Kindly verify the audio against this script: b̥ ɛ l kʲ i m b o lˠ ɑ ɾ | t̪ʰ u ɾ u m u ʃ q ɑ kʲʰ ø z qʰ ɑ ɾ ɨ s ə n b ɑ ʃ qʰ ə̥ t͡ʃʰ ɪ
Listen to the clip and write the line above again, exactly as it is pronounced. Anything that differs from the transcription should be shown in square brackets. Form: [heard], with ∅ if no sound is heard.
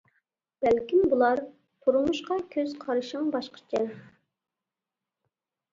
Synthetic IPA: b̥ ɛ l kʲ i m b [u] lˠ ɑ ɾ | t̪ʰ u ɾ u m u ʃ q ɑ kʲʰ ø z qʰ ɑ ɾ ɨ [ʃ] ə [ŋ] b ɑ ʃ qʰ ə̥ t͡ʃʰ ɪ